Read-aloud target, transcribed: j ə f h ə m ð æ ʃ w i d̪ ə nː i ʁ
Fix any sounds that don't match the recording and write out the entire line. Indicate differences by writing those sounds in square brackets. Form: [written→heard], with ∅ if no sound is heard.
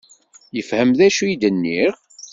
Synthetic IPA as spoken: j ə f h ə m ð æ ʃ [w→u] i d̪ ə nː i ʁ